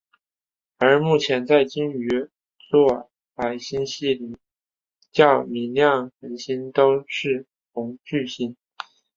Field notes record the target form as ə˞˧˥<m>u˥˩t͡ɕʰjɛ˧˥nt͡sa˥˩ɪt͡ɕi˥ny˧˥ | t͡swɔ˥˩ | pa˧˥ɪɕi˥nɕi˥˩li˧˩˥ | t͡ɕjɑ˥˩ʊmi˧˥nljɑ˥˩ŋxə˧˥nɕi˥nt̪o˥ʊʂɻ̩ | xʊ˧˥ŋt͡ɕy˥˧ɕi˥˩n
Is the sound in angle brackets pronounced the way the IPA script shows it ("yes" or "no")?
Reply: yes